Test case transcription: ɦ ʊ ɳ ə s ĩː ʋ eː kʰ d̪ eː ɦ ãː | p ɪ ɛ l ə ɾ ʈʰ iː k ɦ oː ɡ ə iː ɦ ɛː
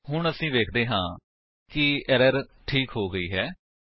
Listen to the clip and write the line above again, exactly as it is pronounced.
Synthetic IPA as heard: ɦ ʊ ɳ ə s ĩː ʋ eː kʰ d̪ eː ɦ ãː | k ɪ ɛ ɾ ə ɾ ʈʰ iː k ɦ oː ɡ ə iː ɦ ɛː